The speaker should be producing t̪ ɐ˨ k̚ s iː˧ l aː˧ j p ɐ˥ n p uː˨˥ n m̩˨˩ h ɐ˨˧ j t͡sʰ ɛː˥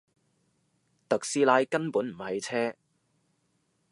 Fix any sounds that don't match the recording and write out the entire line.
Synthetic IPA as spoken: t̪ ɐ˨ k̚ s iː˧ l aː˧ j k ɐ˥ n p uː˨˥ n m̩˨˩ h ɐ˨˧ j t͡sʰ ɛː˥